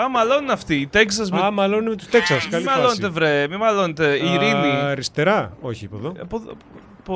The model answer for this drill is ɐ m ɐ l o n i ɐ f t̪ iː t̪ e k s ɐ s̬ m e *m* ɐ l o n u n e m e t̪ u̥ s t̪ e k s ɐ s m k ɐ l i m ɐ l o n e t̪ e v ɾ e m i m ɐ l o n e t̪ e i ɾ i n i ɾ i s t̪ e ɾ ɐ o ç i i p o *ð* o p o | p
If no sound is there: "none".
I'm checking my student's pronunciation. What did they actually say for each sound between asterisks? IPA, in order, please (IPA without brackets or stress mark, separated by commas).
m, ð